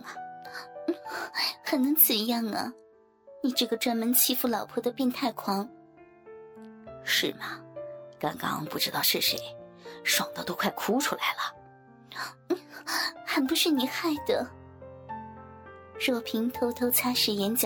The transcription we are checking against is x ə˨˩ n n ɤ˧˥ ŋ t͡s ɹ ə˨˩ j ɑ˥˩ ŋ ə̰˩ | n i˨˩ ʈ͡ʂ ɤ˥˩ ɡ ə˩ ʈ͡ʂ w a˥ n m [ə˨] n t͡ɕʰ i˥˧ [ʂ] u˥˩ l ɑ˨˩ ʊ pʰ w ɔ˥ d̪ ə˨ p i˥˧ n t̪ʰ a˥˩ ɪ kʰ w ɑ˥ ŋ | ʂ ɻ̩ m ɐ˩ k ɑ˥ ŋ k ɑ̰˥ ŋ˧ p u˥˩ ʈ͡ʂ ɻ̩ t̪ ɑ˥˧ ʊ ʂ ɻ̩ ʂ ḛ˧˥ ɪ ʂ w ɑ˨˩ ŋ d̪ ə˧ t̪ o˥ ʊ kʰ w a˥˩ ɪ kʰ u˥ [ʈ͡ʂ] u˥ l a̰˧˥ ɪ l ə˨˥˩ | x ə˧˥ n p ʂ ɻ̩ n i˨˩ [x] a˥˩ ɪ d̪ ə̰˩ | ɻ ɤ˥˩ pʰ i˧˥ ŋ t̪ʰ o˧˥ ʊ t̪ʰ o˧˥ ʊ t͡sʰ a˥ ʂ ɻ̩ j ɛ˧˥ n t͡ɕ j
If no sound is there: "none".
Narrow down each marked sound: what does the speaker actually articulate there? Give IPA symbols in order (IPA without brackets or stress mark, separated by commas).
ə˧˥, f, ʈ͡ʂʰ, x